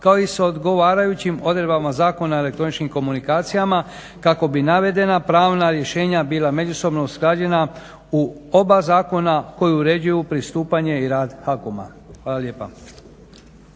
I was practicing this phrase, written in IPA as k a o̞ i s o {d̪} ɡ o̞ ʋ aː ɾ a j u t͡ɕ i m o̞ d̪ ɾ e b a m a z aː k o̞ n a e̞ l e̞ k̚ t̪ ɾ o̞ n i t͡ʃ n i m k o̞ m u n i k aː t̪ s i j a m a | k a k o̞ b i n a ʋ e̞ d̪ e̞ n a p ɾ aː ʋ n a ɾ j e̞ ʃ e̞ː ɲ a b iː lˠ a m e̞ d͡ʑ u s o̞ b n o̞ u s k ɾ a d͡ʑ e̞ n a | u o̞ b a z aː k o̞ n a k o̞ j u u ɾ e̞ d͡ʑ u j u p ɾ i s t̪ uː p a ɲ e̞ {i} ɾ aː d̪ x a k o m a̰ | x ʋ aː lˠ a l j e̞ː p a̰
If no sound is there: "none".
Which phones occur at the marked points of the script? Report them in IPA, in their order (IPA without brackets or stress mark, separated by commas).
d̪, i